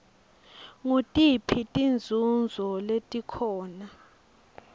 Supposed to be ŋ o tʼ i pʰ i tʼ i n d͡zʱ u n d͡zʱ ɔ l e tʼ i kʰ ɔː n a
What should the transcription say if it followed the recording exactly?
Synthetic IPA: ŋ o tʼ i pʰ i tʼ i n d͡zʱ u n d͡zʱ ɔ l e tʼ i kʰ ɔː n a